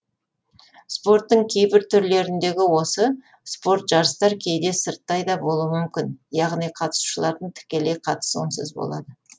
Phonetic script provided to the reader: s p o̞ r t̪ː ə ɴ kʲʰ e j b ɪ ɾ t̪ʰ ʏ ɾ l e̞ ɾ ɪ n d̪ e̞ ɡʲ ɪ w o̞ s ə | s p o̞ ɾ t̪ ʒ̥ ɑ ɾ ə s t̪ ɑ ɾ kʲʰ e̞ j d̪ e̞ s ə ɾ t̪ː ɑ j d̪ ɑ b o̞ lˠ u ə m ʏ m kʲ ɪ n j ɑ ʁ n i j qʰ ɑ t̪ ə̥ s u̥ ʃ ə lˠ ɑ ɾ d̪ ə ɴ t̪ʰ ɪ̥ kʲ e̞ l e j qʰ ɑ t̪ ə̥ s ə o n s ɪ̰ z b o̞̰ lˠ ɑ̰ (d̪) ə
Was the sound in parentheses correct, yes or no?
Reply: yes